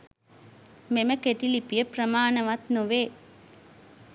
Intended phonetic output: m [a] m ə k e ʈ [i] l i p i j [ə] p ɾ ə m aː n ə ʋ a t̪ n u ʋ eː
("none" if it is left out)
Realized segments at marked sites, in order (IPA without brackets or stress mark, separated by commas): e, i, ə